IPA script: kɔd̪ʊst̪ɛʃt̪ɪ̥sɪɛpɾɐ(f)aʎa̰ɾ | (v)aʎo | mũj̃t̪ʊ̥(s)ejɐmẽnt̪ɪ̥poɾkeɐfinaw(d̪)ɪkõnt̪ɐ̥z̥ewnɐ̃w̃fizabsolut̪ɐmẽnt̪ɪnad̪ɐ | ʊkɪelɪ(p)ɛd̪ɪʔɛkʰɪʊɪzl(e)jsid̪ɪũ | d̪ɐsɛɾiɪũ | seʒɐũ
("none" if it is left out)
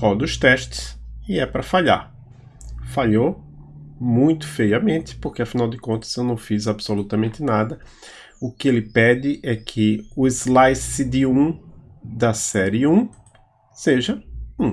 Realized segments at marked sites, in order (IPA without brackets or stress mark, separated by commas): f, f, f, d̪, p, a